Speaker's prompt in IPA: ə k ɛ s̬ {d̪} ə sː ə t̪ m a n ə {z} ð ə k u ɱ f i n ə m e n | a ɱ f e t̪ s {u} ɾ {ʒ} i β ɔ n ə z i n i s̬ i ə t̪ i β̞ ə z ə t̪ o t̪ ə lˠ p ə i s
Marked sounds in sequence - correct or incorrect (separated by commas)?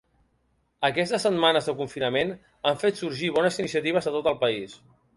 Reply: incorrect, correct, correct, correct